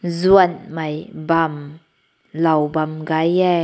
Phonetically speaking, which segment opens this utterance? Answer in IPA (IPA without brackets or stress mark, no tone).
z